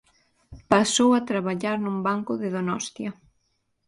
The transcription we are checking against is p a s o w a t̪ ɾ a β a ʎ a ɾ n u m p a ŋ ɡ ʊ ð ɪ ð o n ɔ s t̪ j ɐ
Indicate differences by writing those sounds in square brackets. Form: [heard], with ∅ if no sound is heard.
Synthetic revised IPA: p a s o w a t̪ ɾ a β a ʎ a ɾ n u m [b] a ŋ [k] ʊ ð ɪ ð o n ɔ s t̪ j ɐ

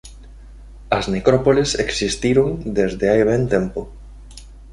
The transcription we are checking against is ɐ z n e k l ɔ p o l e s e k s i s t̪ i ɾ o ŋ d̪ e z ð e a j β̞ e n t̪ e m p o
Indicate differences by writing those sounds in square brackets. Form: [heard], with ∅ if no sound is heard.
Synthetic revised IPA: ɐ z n e k [ɾ] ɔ p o l e s e k s i s t̪ i ɾ o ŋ d̪ e z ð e a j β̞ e n t̪ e m p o

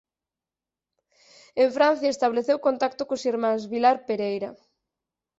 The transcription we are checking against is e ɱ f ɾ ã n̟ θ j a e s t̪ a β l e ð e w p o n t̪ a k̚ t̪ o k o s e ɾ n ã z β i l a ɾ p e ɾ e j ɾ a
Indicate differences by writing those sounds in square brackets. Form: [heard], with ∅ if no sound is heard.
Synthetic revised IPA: e ɱ f ɾ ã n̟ θ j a e s t̪ a β l e [θ] e w [k] o n t̪ a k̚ t̪ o k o s [i] ɾ [m] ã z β i l a ɾ p e ɾ e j ɾ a

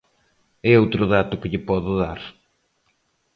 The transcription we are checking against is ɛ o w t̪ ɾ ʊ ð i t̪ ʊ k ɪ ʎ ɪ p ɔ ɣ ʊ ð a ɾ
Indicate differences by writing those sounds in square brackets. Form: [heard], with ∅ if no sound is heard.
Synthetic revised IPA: ɛ o w t̪ ɾ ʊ ð [a] t̪ ʊ k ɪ ʎ ɪ p ɔ [ð] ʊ ð a ɾ

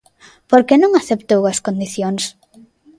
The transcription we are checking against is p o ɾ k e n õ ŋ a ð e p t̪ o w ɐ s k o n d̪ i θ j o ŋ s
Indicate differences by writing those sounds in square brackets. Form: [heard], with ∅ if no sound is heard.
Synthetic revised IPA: p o ɾ k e n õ ŋ a [θ] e p t̪ o w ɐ s k o n d̪ i θ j o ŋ s

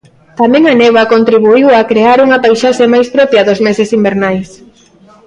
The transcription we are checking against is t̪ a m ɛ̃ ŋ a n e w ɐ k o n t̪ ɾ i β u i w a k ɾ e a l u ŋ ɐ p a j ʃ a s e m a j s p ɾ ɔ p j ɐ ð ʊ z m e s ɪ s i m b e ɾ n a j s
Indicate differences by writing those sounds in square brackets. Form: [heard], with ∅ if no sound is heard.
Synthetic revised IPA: t̪ a m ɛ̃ ŋ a n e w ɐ k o n t̪ ɾ i β u i w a k ɾ e a [ɾ] u ŋ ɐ p a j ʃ a [ʃ] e m a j s p ɾ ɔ p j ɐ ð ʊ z m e s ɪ s i m b e ɾ n a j s

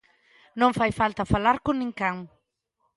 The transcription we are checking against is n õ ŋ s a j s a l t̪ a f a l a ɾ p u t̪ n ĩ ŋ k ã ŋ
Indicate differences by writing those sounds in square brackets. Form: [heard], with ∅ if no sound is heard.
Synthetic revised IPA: n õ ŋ [f] a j [f] a l t̪ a f a l a ɾ [k] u [∅] n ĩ ŋ k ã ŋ

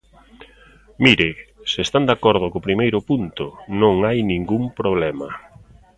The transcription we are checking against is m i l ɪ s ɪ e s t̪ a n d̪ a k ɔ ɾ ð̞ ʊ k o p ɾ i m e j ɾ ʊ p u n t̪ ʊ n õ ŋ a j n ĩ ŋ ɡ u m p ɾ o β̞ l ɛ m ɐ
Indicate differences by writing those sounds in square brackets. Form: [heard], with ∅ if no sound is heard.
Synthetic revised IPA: m i [ɾ] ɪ s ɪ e s t̪ a n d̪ a k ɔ ɾ ð̞ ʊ k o p ɾ i m e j ɾ ʊ p u n t̪ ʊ n õ ŋ a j n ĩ ŋ ɡ u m p ɾ o β̞ l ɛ m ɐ

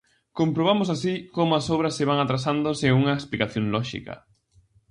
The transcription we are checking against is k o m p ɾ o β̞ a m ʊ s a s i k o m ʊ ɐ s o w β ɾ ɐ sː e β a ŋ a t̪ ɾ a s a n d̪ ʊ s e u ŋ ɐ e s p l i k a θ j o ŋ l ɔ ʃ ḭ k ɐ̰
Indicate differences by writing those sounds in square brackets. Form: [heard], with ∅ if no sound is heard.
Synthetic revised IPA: k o m p ɾ o β̞ a m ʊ s a s i k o m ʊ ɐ s o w β ɾ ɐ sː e β a ŋ a t̪ ɾ a s a n d̪ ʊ s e u ŋ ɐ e s p l i k a θ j o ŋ l ɔ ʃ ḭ k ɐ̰

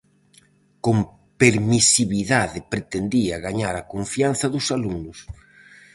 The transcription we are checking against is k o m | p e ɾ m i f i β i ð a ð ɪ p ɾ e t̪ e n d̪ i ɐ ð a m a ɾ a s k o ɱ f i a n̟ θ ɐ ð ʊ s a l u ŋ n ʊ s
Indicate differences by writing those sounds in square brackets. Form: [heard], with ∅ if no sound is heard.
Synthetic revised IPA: k o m | p e ɾ m i [s] i β i ð a ð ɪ p ɾ e t̪ e n d̪ i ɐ [ɣ] a [ɲ] a ɾ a [∅] k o ɱ f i a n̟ θ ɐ ð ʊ s a l u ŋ n ʊ s

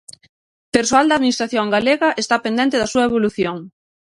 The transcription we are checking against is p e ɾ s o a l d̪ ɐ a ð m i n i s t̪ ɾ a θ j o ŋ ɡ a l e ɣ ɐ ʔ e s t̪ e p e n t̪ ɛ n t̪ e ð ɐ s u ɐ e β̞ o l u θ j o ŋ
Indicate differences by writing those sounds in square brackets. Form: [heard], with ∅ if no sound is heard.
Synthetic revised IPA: p e ɾ s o a l d̪ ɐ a ð m i n i s t̪ ɾ a θ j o ŋ ɡ a l e ɣ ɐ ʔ e s t̪ [a] p e n [d̪] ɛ n t̪ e ð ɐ s u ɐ e β̞ o l u θ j o ŋ

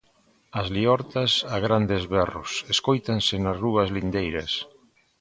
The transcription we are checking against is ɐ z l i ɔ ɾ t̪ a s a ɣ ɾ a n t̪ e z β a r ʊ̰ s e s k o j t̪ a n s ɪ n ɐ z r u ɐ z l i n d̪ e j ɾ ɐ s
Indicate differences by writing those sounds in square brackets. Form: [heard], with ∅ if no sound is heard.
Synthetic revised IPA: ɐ z l i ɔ ɾ t̪ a s a ɣ ɾ a n [d̪] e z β [ɛ] r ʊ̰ s e s k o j t̪ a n s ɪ n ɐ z r u ɐ z l i n d̪ e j ɾ ɐ s

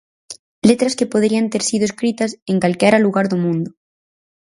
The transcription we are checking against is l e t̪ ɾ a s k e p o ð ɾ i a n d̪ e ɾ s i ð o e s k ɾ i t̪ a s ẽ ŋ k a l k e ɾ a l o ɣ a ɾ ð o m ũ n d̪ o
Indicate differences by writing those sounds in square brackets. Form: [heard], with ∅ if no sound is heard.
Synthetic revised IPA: l e t̪ ɾ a s k e p o ð ɾ i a n [t̪] e ɾ s i ð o e s k ɾ i t̪ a s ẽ ŋ k a l k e ɾ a l [u] ɣ a ɾ ð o m ũ n d̪ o

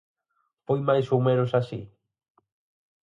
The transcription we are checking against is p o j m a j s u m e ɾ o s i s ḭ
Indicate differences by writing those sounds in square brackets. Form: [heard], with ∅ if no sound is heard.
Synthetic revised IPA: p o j m a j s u m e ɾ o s [a] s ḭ

